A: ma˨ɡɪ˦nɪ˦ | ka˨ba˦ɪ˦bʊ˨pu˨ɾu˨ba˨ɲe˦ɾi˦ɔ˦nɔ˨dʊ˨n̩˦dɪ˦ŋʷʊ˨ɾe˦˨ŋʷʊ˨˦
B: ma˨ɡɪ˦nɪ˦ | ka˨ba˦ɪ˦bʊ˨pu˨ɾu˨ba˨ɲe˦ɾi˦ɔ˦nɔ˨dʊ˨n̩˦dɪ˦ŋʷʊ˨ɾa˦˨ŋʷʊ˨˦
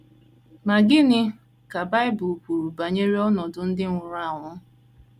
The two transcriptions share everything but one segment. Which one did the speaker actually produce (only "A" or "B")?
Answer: B